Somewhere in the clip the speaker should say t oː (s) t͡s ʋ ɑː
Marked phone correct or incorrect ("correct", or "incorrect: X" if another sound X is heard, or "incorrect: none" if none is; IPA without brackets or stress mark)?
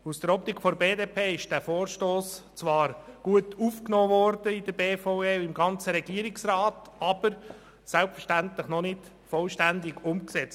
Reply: correct